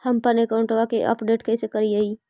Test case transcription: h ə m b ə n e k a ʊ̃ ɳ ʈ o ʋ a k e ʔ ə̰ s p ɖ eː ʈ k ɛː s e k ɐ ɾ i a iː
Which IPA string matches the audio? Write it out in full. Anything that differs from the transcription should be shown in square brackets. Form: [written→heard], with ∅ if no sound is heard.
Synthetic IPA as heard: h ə m [b→p] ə n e k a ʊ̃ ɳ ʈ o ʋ a k e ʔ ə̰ [s→∅] p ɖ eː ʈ k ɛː s e k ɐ ɾ i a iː